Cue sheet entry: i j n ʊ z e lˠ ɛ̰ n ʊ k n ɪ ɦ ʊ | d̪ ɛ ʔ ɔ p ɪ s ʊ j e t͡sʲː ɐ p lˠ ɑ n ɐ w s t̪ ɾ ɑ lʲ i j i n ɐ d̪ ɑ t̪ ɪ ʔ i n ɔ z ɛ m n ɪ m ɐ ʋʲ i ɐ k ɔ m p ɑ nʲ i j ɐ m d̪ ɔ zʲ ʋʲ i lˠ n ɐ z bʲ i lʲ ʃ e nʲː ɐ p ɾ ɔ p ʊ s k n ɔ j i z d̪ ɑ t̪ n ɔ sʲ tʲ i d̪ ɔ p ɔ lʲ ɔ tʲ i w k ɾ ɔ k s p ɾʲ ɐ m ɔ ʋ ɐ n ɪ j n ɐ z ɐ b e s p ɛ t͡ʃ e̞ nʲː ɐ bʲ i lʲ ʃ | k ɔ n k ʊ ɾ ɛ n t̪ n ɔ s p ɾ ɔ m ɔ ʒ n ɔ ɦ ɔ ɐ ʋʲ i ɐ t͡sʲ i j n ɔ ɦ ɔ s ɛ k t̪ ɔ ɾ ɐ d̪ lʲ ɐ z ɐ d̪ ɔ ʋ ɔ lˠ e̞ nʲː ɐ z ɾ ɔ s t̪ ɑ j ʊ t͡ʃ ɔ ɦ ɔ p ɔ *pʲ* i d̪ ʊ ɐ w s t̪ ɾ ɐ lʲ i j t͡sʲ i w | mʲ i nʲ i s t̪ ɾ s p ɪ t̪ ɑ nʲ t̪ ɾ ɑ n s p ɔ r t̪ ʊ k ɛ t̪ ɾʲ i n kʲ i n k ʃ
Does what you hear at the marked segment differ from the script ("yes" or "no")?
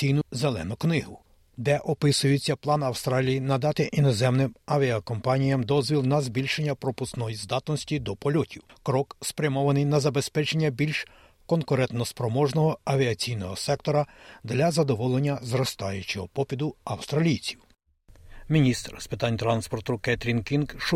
no